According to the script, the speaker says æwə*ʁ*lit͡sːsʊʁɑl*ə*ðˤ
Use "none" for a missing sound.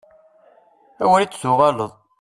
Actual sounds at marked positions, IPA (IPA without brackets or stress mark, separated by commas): none, ə